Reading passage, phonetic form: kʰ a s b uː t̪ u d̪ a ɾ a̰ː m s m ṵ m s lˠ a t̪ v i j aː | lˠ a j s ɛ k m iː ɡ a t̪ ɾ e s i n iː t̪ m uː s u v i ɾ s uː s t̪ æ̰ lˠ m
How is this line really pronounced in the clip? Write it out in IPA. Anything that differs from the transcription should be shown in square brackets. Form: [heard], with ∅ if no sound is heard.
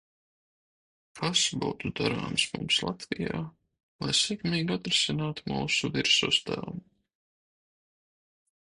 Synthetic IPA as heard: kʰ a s b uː t̪ u d̪ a ɾ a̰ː m s m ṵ m s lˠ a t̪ v i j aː | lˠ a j s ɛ k m iː ɡ a t̪ ɾ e s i n [aː] t̪ m uː s u v i ɾ s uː s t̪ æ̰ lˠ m